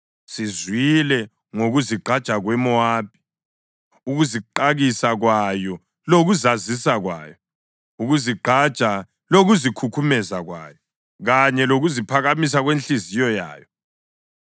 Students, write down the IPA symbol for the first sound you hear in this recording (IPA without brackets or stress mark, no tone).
s